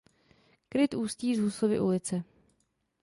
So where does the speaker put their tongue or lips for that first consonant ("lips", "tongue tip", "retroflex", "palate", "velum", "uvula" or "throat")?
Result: velum